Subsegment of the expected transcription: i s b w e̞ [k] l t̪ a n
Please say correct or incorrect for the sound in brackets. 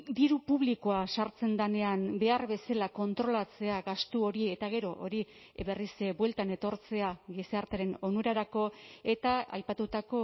incorrect